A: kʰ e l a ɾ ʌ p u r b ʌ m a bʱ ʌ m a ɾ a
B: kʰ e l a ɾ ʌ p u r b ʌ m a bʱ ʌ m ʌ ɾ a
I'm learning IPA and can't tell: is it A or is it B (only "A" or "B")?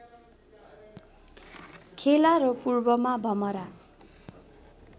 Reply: B